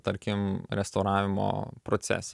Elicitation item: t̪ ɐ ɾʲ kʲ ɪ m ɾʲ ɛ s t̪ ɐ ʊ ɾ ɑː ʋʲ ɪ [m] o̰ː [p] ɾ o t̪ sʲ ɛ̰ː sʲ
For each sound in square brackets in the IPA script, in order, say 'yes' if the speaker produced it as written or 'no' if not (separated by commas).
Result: yes, yes